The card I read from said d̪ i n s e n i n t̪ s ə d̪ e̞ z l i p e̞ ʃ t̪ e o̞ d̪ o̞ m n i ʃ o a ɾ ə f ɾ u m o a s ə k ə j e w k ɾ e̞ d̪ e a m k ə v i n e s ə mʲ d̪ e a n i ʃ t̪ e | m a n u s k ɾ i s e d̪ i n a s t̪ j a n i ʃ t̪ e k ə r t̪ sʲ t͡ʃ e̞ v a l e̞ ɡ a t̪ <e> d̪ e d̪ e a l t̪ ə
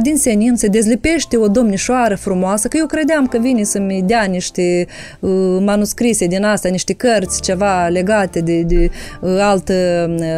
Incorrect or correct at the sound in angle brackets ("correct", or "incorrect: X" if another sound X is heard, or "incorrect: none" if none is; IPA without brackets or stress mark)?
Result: correct